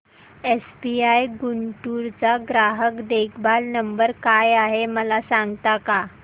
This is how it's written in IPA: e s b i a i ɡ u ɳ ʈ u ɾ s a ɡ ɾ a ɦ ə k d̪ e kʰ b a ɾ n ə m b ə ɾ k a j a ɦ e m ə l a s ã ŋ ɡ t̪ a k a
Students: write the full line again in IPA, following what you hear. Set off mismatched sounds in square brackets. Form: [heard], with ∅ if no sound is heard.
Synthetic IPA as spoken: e s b i a [j] ɡ u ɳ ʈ u ɾ [t͡s] a ɡ ɾ a ɦ ə k d̪ e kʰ b a [l] n ə m b ə ɾ k a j a ɦ e m ə l a s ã ŋ ɡ t̪ a k a